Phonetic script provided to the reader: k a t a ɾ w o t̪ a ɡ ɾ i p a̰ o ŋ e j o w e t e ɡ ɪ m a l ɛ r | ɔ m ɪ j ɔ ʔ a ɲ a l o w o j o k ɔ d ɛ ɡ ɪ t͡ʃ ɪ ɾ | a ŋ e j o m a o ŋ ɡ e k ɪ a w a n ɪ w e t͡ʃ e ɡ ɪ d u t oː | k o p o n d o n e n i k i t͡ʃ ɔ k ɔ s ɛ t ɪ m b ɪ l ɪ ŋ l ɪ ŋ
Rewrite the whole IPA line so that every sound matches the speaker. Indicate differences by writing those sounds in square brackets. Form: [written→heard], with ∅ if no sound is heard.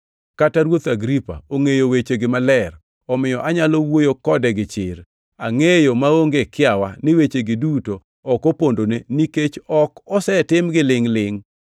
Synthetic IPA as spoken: k a t a ɾ w o t̪ a ɡ ɾ i p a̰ o ŋ e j o w e [t→t͡ʃ] e ɡ ɪ m a l ɛ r | ɔ m ɪ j ɔ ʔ a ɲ a l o w o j o k ɔ d ɛ ɡ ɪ t͡ʃ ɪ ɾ | a ŋ e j o m a o ŋ ɡ e k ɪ a w a n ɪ w e t͡ʃ e ɡ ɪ d u t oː | k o p o n d o n e n i k [i→e] t͡ʃ ɔ k ɔ s ɛ t ɪ m [b→ɡ] ɪ l ɪ ŋ l ɪ ŋ